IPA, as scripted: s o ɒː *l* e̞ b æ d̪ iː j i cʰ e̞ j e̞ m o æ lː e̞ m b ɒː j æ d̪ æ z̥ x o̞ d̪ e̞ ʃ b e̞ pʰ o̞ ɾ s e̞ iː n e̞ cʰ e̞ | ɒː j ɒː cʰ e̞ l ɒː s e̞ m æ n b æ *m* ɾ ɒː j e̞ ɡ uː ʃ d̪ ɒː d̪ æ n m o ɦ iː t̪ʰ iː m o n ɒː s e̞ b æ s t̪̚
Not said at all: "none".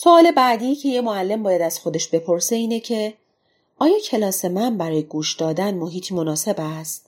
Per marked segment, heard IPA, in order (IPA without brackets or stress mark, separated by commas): l, none